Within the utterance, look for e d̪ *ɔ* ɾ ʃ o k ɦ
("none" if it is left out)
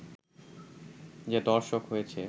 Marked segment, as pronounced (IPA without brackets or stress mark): ɔ